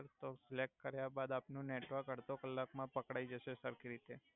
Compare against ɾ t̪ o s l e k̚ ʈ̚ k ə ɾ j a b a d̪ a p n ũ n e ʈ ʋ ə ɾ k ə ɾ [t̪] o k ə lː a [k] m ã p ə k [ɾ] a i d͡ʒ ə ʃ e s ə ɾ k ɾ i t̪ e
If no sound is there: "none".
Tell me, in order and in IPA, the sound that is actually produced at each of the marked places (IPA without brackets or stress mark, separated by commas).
t̪, k, ɽ